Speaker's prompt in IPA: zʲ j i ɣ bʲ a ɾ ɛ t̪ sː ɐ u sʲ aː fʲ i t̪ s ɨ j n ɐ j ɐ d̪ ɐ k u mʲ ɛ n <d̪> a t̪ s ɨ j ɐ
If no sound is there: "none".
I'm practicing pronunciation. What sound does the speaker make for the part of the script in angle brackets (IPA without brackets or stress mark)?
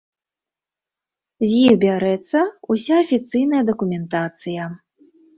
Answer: t̪